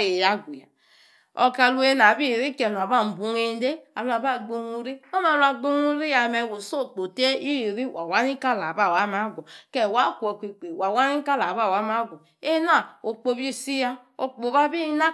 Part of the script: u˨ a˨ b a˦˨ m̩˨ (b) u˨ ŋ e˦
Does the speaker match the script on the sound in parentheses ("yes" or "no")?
yes